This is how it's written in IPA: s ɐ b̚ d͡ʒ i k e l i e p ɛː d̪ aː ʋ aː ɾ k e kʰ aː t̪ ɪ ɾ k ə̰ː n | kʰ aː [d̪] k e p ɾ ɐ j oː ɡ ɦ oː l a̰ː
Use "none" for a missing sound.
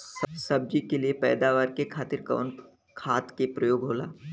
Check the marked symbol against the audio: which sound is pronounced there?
t̪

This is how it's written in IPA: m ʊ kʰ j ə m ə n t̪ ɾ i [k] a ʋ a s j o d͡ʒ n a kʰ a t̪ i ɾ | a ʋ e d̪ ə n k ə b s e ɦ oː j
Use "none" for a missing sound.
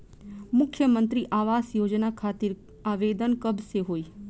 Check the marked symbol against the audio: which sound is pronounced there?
ʔ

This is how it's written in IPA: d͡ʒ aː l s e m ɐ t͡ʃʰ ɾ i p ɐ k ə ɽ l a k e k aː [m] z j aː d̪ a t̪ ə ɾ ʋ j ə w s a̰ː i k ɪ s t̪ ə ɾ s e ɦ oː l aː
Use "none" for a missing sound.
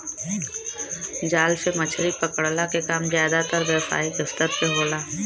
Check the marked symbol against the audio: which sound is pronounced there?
m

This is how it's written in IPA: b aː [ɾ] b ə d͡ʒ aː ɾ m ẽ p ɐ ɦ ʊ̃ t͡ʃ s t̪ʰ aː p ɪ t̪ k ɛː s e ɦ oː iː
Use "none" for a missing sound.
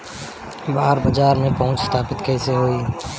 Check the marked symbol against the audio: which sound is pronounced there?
ɾ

